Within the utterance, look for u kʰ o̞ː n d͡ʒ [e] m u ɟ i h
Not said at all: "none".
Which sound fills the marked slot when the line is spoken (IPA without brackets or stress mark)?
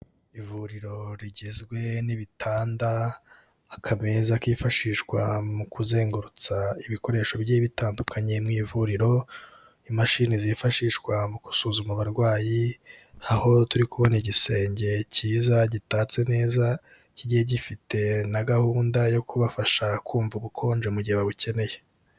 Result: e